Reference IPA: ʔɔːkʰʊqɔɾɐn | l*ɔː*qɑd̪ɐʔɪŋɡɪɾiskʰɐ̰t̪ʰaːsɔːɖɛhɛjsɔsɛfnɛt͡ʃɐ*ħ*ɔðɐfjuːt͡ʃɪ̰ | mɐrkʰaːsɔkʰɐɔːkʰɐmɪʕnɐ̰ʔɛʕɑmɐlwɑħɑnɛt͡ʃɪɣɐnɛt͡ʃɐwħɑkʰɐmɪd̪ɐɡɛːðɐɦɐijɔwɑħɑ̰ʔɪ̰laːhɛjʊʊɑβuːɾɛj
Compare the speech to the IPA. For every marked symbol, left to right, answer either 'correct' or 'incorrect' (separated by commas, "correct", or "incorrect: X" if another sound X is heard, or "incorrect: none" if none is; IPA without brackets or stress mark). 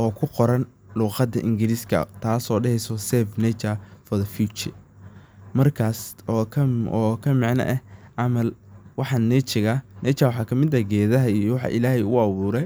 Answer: incorrect: uː, incorrect: f